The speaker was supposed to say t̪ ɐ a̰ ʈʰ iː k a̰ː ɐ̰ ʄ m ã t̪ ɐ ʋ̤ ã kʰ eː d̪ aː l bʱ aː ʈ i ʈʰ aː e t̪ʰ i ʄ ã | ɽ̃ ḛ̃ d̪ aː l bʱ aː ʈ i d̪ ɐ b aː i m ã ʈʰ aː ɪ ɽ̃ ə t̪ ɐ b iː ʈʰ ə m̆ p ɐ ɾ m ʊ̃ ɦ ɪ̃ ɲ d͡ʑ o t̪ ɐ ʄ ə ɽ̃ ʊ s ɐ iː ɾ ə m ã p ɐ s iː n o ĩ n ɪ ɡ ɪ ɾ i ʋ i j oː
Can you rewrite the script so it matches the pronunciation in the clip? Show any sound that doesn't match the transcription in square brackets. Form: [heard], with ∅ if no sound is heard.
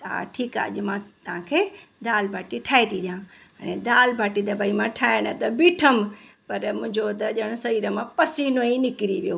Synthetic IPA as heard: t̪ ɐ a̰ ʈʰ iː k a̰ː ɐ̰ ʄ m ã t̪ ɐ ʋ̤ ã kʰ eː d̪ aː l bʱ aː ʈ i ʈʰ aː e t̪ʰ i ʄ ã | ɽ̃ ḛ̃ d̪ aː l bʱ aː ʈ i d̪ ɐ b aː i m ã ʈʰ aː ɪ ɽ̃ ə t̪ ɐ b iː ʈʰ ə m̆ p ɐ ɾ m ʊ̃ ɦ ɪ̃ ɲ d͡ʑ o t̪ ɐ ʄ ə ɽ̃ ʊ s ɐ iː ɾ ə m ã p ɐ s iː n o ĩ n ɪ [k] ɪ ɾ i ʋ i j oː